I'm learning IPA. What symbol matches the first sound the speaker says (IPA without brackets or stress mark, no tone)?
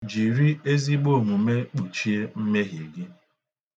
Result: d͡ʒ